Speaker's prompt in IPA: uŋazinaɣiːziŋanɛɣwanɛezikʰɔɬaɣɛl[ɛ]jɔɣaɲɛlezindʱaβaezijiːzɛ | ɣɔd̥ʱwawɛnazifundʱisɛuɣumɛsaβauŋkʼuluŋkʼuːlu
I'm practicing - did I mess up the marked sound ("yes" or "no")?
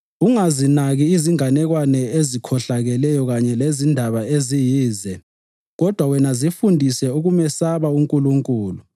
no